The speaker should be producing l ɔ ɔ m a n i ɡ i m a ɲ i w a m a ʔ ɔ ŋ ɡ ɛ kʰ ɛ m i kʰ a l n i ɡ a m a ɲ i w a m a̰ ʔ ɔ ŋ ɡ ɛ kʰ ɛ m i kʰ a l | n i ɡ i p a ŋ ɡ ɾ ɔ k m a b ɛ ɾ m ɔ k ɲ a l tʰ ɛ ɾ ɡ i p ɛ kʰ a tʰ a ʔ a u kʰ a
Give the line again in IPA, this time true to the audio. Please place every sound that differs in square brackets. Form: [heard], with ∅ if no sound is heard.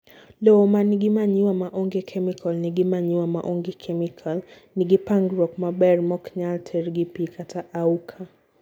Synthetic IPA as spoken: l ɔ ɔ m a n i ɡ i m a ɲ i w a m a ʔ ɔ ŋ ɡ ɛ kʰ ɛ m i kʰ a l n i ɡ [i] m a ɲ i w a m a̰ ʔ ɔ ŋ ɡ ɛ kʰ ɛ m i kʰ a l | n i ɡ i p a ŋ ɡ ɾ ɔ k m a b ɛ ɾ m ɔ k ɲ a l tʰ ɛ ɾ ɡ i p [i] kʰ a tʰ a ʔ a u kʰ a